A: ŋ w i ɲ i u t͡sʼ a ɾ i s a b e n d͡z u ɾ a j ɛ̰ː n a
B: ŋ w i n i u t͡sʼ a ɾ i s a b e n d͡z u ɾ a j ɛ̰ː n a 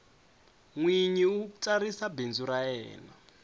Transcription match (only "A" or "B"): A